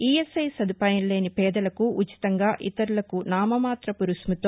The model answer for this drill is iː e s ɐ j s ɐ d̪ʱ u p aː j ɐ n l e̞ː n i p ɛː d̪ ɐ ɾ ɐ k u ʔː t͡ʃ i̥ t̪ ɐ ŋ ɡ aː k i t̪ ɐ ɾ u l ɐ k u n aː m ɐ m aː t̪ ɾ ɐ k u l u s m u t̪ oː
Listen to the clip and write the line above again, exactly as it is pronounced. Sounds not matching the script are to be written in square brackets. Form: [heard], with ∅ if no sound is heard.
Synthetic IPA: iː e s ɐ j s ɐ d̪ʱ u p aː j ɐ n l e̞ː n i p ɛː d̪ ɐ [l] ɐ k u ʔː t͡ʃ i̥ t̪ ɐ ŋ ɡ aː [ʔ] i t̪ ɐ ɾ u l ɐ k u n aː m ɐ m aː t̪ ɾ ɐ [p] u [ɾ] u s m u t̪ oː